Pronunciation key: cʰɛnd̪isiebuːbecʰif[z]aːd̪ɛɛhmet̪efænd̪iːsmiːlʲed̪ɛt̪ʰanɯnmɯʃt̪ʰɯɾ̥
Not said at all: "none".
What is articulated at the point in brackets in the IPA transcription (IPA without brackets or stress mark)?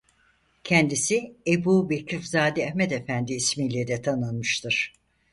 z